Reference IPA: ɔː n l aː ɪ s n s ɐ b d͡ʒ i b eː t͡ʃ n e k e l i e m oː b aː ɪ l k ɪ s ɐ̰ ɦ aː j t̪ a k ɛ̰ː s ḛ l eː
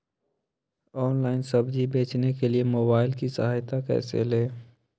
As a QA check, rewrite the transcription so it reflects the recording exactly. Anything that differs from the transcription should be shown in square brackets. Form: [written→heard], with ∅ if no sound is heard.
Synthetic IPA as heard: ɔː n l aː ɪ [s→∅] n s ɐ b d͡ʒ i b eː t͡ʃ n e k e l i e m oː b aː ɪ l k [ɪ→i] s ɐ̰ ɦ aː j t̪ a k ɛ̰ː s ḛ l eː